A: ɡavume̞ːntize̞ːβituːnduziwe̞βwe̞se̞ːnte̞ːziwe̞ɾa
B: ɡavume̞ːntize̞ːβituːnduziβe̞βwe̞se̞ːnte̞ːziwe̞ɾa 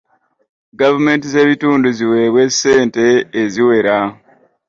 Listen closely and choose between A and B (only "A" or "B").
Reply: A